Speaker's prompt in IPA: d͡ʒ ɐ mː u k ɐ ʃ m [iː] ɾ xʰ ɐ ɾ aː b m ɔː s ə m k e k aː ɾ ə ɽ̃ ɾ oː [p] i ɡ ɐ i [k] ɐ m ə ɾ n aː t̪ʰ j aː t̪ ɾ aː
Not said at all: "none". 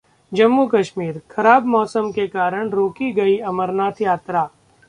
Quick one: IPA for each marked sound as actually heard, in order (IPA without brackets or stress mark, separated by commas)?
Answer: iː, k, none